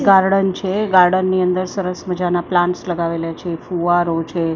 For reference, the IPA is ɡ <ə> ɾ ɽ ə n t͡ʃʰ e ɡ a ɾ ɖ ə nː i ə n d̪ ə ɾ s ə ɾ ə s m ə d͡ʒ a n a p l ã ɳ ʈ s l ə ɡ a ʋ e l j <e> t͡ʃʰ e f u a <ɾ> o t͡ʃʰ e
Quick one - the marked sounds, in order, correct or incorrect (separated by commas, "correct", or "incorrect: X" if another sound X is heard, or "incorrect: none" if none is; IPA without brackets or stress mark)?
incorrect: a, incorrect: a, correct